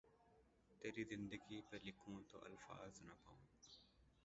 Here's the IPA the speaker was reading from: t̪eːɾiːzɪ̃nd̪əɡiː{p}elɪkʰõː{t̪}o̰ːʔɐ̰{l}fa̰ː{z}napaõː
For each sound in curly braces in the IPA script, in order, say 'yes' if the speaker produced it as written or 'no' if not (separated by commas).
yes, yes, yes, yes